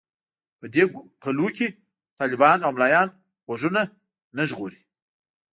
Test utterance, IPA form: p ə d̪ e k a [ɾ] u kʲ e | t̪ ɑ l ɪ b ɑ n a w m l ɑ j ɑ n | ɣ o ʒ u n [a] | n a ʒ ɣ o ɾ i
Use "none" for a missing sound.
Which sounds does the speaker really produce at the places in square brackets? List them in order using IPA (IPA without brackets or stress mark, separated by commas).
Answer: l, a